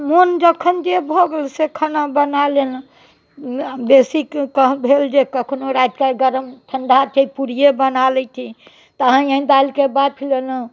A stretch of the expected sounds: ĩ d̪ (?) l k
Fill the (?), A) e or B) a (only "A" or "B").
B